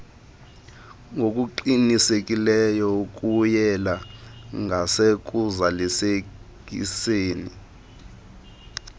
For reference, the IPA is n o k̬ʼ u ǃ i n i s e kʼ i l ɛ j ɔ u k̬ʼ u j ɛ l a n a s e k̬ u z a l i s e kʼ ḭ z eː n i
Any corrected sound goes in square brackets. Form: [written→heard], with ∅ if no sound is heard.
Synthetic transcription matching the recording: [n→ŋ] o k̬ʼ u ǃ i n i s e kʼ i l ɛ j ɔ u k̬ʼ u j ɛ l a [n→ŋ] a s e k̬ u z a l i s e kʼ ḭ [z→s] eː n i